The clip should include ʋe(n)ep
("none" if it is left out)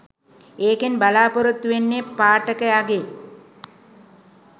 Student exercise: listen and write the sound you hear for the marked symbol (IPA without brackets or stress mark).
nː